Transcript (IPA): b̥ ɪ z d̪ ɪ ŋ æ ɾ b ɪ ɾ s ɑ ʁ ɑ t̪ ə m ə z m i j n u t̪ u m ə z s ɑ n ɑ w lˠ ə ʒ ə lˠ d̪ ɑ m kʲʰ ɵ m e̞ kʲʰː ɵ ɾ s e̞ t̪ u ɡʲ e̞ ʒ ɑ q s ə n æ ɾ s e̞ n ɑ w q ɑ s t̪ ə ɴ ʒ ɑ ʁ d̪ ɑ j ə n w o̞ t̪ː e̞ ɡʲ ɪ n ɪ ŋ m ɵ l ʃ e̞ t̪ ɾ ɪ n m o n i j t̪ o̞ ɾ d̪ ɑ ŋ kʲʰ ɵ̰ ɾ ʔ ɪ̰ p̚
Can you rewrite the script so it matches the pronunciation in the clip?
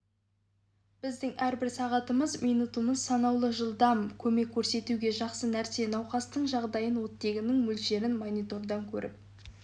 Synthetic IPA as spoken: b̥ ɪ z d̪ ɪ ŋ æ ɾ b ɪ ɾ s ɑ ʁ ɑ t̪ ə m ə z m i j n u t̪ u m ə z s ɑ n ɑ w lˠ ə ʒ ə lˠ d̪ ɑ m kʲʰ ɵ m e̞ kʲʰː ɵ ɾ s e̞ t̪ u ɡʲ e̞ ʒ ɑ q s ə n æ ɾ s e̞ n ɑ w q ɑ s t̪ ə ɴ ʒ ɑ ʁ d̪ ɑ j ə n w o̞ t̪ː e̞ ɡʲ ɪ n ɪ ŋ m ɵ l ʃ e̞ ɾ ɪ n m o n i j t̪ o̞ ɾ d̪ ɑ ŋ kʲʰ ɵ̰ ɾ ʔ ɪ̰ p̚